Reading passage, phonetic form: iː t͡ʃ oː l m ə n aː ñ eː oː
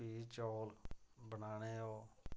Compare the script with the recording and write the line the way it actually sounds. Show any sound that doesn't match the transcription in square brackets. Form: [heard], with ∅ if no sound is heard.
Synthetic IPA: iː t͡ʃ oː l [b] ə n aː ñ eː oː